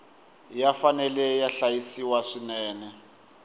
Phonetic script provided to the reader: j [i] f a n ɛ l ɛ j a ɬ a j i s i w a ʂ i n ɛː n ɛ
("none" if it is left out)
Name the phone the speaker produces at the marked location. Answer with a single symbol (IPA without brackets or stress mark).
a